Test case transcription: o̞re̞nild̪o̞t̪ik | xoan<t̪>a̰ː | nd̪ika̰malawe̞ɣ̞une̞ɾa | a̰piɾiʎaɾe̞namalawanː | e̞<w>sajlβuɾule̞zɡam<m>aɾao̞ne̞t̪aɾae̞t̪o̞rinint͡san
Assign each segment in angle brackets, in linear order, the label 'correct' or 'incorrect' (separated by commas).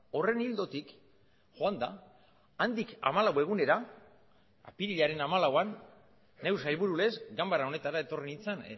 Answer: incorrect, correct, incorrect